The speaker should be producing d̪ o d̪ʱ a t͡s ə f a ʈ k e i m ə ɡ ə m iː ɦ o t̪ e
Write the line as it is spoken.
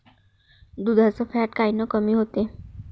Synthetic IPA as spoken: d̪ u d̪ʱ a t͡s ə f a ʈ k a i n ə k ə m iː ɦ o t̪ e

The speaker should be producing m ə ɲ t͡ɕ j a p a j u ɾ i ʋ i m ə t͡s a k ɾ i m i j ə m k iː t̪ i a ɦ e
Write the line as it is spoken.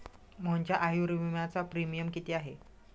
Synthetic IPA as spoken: m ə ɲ t͡ɕ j a ʔ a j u ɾ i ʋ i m a t͡s a p ɾ i m i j ə m k i t̪ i a ɦ e

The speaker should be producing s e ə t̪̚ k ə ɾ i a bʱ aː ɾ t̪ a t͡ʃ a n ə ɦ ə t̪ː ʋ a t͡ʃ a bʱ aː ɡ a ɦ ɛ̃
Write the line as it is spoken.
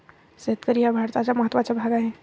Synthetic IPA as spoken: s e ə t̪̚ k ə ɾ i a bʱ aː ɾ t̪ a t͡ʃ a m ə ɦ ə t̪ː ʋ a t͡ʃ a bʱ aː ɡ a ɦ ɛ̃

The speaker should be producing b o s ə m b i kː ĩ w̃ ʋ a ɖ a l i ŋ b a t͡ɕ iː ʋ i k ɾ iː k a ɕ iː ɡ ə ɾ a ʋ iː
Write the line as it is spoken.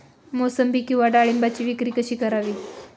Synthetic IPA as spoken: m o s ə m b i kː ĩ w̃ ʋ a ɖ a ɭ i m b a t͡ɕ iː ʋ i k ɾ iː k ə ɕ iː k ə ɾ a ʋ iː

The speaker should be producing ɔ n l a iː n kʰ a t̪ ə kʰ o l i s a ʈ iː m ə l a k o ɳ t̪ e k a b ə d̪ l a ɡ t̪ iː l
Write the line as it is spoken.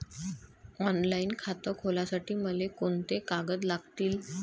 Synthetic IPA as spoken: ɔ n l a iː n kʰ a t̪ ə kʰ o l a s a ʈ iː m ə l e k o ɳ t̪ e k a ɡ ə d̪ l a ɡ t̪ iː l

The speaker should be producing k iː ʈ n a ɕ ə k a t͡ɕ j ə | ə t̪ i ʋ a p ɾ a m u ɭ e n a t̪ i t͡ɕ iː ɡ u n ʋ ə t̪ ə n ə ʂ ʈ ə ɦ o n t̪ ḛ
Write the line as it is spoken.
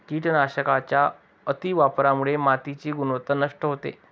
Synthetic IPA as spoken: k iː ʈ n a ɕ ə k a t͡ɕ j a | ə t̪ i ʋ a p ɾ a m u ɭ e m a t̪ i t͡ɕ iː ɡ u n ʋ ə t̪ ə n ə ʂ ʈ ə ɦ o t̪ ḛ

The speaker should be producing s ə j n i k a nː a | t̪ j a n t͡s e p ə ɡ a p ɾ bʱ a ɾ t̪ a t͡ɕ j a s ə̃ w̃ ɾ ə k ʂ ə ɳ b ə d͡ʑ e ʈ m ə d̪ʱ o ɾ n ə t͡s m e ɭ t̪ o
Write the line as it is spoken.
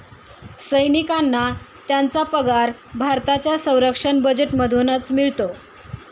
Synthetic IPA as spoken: s ə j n i k a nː a | t̪ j a n t͡s a p ə ɡ a ɾ bʱ a ɾ t̪ a t͡ɕ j a s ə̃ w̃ ɾ ə k ʂ ə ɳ b ə d͡ʑ e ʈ m ə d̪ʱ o n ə t͡s m i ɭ t̪ o

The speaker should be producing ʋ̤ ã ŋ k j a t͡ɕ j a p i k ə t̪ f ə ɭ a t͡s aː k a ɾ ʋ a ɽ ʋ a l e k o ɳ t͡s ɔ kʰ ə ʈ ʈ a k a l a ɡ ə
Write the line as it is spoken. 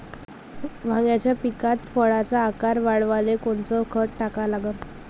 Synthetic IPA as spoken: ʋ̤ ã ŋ ɡ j a t͡ɕ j a p i k a t̪ f ə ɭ a t͡s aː k a ɾ ʋ a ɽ ʋ a l e k o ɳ t͡s ɔ kʰ ə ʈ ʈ a k a l a ɡ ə

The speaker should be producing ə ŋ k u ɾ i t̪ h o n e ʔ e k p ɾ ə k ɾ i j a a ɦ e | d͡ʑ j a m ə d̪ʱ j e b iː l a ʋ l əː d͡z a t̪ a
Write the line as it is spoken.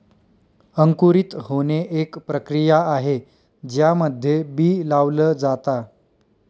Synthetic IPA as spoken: ə ŋ k u ɾ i t̪ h o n e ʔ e k p ɾ ə k ɾ i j a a ɦ e | d͡ʑ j a m ə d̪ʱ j e b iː l a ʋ l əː d͡z a t̪ a

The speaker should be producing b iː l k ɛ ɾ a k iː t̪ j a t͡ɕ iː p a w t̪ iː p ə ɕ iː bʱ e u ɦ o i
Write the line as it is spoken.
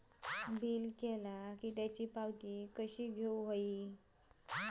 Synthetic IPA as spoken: b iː l k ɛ l a k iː t̪ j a t͡ɕ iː p a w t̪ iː k ə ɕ iː ɡʱ e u ɦ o i

